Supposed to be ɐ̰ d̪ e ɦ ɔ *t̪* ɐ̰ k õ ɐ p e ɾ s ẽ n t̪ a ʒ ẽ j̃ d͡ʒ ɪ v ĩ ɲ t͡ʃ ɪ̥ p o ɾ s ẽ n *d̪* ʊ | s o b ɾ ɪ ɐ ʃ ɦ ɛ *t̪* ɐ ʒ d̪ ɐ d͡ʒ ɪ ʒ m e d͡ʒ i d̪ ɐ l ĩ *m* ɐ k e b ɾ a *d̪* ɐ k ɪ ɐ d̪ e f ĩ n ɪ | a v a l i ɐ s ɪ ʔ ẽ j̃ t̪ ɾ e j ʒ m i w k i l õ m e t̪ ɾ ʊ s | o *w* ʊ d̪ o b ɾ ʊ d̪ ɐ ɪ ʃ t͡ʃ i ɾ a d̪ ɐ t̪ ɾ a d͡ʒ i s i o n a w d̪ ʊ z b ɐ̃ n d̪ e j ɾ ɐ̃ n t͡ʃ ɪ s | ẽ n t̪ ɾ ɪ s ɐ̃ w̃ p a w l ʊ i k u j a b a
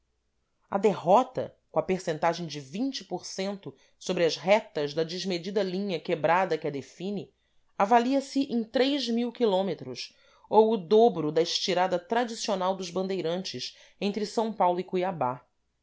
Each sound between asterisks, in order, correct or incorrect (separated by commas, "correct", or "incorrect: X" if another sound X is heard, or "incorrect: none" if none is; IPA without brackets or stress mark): correct, incorrect: t̪, correct, incorrect: ɲ, correct, correct